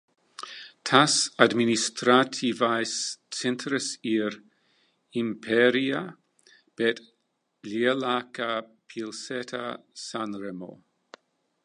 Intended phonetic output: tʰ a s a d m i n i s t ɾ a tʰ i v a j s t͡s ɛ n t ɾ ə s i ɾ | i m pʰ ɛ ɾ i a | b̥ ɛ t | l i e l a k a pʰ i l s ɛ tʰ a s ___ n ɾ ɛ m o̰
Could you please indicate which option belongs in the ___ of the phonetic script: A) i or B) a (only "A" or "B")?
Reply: B